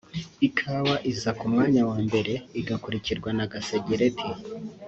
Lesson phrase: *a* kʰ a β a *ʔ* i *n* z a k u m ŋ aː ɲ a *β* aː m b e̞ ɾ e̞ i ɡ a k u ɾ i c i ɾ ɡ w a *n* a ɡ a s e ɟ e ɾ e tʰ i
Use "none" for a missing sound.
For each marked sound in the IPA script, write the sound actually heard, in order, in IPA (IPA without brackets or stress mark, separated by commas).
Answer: i, ʔ, none, w, n